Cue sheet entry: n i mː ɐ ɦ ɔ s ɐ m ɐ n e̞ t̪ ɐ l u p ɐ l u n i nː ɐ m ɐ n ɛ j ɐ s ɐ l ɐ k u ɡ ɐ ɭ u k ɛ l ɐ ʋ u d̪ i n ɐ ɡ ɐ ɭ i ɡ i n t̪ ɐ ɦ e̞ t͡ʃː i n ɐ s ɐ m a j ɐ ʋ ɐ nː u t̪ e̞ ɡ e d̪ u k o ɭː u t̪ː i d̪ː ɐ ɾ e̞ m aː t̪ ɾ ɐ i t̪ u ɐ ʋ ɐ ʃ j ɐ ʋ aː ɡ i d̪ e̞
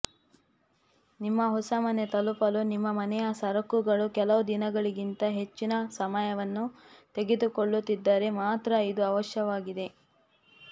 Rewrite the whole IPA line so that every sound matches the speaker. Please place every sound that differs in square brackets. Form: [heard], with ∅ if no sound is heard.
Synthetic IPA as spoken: n i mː ɐ ɦ ɔ s ɐ m ɐ n e̞ t̪ ɐ l u p ɐ l u n i [mː] ɐ m ɐ n ɛ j ɐ s ɐ [ɾ] ɐ k u ɡ ɐ ɭ u k ɛ l ɐ ʋ u d̪ i n ɐ ɡ ɐ ɭ i ɡ i n t̪ ɐ ɦ e̞ t͡ʃː i n ɐ s ɐ m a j ɐ ʋ ɐ nː u t̪ e̞ ɡ e d̪ u k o ɭː u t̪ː i d̪ː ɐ ɾ e̞ m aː t̪ ɾ ɐ i [d̪] u ɐ ʋ ɐ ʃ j ɐ ʋ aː ɡ i d̪ e̞